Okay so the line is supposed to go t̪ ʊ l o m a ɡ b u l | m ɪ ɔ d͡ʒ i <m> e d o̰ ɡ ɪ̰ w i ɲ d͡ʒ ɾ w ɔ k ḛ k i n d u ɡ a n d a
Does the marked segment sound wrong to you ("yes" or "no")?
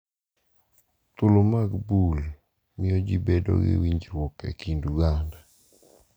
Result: yes